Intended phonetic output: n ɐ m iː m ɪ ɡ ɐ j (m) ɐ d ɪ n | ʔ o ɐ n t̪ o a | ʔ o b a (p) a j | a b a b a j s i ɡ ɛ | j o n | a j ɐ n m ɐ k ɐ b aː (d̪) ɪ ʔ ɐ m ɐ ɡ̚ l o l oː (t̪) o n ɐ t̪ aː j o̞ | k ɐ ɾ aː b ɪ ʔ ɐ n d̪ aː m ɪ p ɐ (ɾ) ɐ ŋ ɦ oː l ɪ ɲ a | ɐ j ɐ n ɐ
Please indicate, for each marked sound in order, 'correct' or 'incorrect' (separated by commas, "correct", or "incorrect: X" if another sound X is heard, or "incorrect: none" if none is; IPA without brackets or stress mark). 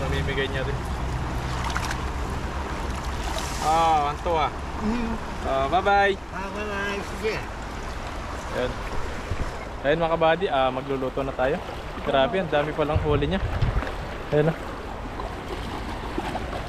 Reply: incorrect: ɲ, incorrect: b, correct, correct, incorrect: l